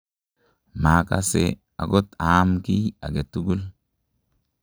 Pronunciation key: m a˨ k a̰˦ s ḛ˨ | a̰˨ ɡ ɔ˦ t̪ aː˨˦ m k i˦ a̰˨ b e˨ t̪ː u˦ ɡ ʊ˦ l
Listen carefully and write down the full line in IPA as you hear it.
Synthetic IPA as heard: m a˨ k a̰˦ s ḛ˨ | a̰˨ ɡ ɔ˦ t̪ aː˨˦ m k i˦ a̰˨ ɡ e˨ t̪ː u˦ ɡ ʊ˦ l